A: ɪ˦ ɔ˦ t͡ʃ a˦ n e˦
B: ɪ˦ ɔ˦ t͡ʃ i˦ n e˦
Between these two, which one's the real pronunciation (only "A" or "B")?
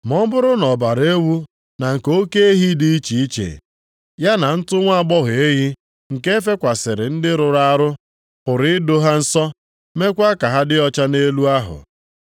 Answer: A